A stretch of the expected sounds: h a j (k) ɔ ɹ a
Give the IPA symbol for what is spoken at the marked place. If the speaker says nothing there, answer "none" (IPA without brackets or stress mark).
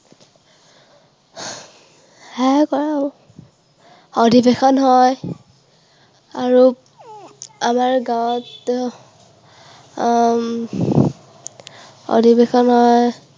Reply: k